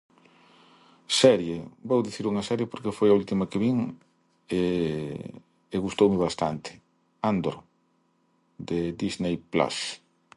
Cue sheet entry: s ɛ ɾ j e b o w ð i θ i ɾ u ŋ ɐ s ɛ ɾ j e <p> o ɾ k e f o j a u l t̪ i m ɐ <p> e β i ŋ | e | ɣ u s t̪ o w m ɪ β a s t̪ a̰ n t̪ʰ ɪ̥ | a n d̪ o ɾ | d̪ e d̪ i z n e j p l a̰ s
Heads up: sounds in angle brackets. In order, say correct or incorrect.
correct, incorrect: k

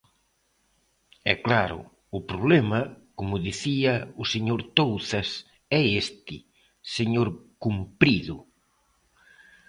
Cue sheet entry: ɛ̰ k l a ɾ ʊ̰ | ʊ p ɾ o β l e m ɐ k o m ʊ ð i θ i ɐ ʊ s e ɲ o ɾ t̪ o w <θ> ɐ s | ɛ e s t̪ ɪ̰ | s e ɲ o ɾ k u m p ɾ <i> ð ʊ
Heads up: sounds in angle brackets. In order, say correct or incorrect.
correct, correct

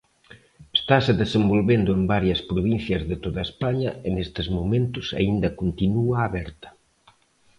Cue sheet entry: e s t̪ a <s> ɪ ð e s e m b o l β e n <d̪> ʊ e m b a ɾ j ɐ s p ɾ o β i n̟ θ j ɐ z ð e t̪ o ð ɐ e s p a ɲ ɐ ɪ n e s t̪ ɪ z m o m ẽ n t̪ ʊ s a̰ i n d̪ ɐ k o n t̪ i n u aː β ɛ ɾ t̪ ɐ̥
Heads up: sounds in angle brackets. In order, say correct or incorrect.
correct, correct

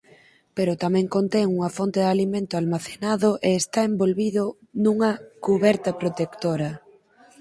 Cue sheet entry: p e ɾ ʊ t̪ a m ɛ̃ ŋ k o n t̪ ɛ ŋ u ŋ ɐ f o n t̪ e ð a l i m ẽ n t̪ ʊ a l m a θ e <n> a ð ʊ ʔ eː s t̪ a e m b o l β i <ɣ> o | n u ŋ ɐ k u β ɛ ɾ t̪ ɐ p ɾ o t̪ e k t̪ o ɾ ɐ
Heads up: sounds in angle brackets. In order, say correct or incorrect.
correct, incorrect: ð

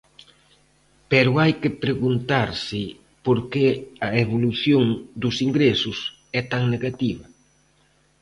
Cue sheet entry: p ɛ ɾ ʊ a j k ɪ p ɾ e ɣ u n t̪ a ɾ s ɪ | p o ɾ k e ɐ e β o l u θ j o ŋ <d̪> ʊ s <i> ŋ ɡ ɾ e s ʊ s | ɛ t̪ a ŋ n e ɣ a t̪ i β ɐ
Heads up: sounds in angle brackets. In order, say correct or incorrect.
correct, correct

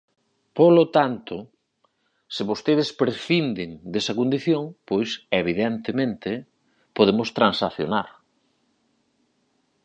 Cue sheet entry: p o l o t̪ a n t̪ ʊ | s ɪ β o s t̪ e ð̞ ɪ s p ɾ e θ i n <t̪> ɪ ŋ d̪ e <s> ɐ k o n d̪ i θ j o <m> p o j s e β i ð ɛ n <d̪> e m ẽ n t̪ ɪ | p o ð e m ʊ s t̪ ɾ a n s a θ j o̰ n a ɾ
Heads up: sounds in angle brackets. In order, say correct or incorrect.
incorrect: d̪, correct, incorrect: ŋ, incorrect: t̪

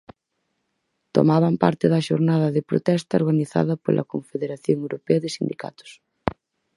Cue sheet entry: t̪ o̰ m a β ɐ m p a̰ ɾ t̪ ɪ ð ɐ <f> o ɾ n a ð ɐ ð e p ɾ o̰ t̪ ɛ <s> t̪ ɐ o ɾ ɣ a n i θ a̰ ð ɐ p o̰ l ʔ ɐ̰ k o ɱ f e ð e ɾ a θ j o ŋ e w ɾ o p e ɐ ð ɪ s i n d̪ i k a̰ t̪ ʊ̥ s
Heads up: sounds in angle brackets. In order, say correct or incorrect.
incorrect: ʃ, correct

